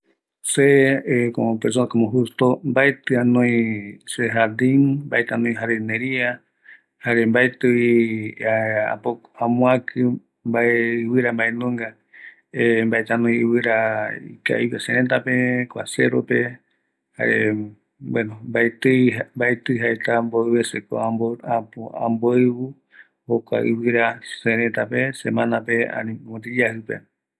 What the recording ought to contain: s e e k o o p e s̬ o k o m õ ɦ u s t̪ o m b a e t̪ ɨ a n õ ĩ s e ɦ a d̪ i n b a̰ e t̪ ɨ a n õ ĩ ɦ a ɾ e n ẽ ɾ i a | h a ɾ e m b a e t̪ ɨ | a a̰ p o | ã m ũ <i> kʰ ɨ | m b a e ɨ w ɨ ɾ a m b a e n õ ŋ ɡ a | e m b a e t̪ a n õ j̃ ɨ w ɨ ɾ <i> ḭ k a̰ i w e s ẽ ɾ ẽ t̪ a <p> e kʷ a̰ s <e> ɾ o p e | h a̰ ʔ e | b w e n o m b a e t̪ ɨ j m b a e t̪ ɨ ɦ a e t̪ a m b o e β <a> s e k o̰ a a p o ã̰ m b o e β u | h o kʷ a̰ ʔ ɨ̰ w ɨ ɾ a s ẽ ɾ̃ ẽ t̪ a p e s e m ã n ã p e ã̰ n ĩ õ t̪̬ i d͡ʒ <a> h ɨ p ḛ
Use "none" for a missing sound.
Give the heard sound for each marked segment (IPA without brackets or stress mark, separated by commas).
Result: a, a, p, e, e, a